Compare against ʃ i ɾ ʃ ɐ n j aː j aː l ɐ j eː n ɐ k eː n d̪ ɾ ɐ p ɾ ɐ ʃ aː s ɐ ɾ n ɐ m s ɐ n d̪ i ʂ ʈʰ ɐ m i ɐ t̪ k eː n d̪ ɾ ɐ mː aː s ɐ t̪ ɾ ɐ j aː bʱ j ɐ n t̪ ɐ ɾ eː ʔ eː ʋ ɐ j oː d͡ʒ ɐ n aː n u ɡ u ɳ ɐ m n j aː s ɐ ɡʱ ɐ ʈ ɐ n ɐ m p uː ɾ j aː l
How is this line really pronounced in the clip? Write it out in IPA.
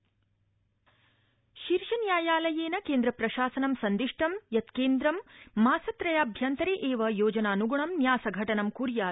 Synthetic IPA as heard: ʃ i ɾ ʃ ɐ n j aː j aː l ɐ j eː n ɐ k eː n d̪ ɾ ɐ p ɾ ɐ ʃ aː s ɐ n ɐ m s ɐ n d̪ i ʂ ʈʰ ɐ m j ɐ t̪ k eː n d̪ ɾ ɐ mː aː s ɐ t̪ ɾ ɐ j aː bʱ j ɐ n t̪ ɐ ɾ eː ʔ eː ʋ ɐ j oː d͡ʒ ɐ n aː n u ɡ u ɳ ɐ m n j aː s ɐ ɡʱ ɐ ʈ ɐ n ɐ m k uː ɾ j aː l